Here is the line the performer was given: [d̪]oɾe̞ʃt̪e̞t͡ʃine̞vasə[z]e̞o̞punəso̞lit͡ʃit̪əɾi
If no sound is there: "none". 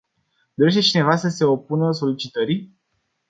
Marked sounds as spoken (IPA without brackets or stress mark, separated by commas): d̪, s